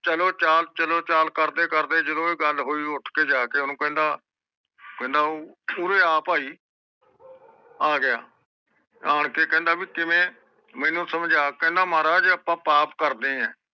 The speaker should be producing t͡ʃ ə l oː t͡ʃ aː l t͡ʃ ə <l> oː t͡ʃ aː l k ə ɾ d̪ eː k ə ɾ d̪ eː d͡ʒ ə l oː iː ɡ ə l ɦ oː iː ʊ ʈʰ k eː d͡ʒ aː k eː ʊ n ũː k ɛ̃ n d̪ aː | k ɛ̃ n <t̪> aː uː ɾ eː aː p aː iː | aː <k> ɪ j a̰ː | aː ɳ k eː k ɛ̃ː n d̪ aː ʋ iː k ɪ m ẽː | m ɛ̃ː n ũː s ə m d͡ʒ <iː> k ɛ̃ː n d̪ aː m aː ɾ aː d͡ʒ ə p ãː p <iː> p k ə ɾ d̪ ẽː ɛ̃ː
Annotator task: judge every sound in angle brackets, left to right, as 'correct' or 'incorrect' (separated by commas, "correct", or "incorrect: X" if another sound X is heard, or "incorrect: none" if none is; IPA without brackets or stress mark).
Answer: correct, incorrect: d̪, incorrect: ɡ, incorrect: aː, incorrect: aː